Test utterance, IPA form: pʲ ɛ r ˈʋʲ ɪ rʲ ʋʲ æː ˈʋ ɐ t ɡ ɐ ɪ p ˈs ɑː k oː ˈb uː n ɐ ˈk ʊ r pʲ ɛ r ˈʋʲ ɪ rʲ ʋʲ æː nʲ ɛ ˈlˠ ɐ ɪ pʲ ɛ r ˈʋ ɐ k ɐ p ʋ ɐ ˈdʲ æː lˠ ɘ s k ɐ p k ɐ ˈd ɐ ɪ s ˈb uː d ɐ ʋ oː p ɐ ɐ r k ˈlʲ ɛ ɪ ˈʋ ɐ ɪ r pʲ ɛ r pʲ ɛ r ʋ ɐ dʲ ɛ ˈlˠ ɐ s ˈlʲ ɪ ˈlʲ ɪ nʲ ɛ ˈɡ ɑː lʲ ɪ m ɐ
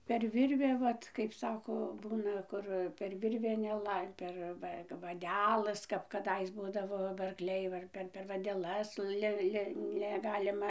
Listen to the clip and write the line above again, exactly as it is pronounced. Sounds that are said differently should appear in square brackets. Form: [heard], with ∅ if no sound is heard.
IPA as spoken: pʲ ɛ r ˈʋʲ ɪ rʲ ʋʲ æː ˈʋ ɐ t [k] ɐ ɪ p ˈs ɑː k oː ˈb uː n ɐ ˈk ʊ r pʲ ɛ r ˈʋʲ ɪ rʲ ʋʲ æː nʲ ɛ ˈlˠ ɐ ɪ pʲ ɛ r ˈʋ ɐ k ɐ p ʋ ɐ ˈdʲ æː lˠ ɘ s k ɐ p k ɐ ˈd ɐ ɪ s ˈb uː d ɐ ʋ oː [b] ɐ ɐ r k ˈlʲ ɛ ɪ ˈʋ ɐ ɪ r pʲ ɛ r pʲ ɛ r ʋ ɐ dʲ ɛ ˈlˠ ɐ s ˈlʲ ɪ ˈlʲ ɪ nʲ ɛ ˈɡ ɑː lʲ ɪ m ɐ